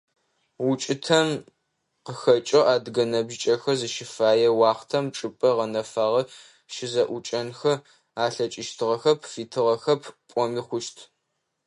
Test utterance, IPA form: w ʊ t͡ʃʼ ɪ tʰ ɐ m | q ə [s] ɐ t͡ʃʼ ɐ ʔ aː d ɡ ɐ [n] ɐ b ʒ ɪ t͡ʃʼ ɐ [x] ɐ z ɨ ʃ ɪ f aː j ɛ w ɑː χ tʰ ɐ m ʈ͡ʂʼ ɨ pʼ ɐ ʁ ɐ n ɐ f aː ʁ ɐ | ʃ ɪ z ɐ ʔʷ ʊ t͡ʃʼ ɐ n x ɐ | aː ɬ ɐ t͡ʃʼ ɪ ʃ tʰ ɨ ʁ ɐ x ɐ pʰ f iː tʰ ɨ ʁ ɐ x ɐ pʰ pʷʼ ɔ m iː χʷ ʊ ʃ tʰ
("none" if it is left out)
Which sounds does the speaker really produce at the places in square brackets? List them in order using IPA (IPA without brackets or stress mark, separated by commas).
x, n, x